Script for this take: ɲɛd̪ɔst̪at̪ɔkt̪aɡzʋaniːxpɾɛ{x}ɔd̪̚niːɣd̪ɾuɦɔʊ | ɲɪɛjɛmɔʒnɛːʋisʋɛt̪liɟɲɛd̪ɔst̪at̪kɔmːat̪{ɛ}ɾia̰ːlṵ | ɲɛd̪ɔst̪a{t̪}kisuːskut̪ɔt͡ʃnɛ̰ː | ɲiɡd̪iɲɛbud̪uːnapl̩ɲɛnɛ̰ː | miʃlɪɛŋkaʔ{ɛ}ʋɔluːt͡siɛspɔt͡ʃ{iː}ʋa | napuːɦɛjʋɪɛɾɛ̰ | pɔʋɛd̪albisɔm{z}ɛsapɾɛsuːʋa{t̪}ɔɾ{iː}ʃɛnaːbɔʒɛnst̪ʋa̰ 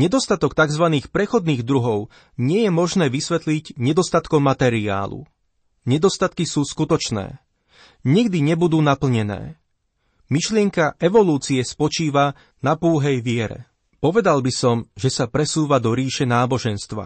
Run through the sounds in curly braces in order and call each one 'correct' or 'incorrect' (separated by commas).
correct, correct, correct, correct, correct, incorrect, incorrect, correct